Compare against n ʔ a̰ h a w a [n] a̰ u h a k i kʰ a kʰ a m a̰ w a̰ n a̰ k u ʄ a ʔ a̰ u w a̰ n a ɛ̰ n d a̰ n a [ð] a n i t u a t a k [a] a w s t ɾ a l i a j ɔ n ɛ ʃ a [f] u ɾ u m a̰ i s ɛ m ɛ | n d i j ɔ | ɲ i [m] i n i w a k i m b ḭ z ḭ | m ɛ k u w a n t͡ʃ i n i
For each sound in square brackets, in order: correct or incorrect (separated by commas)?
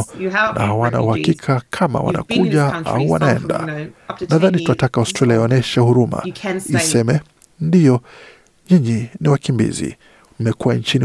correct, correct, correct, incorrect, incorrect